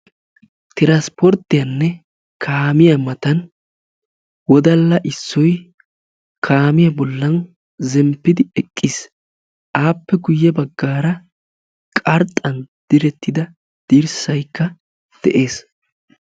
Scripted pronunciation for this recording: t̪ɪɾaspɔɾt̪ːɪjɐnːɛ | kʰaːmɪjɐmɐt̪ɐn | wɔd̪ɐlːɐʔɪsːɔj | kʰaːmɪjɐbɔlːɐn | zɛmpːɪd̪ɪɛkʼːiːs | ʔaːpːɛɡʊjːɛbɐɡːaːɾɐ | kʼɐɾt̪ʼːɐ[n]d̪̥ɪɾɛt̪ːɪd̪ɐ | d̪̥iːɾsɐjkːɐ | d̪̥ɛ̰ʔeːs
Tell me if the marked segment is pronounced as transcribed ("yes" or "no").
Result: yes